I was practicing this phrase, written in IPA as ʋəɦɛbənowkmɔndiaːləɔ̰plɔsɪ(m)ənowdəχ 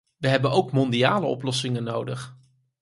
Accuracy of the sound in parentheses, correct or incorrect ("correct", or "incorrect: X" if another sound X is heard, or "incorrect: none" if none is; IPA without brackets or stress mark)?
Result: incorrect: ŋ